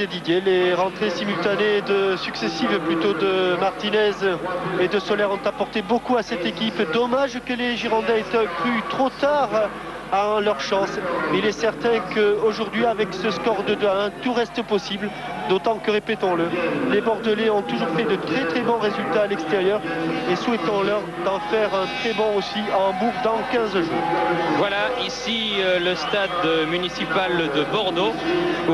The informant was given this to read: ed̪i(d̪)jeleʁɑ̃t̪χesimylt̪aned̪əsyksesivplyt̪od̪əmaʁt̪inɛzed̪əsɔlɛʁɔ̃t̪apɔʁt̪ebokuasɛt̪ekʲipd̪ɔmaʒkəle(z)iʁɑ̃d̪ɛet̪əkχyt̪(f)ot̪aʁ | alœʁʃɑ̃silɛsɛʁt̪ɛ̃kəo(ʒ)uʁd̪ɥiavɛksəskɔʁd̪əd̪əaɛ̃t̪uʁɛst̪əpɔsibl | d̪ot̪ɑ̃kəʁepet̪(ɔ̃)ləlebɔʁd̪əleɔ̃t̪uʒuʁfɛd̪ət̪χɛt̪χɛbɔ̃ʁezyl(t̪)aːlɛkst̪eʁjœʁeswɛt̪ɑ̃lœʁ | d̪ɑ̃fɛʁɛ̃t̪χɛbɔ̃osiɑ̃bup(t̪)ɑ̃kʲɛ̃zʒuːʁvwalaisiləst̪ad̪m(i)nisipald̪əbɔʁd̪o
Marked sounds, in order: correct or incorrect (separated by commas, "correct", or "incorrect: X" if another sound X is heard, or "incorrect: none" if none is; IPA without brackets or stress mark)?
correct, incorrect: ʒ, incorrect: χ, correct, correct, correct, incorrect: d̪, incorrect: y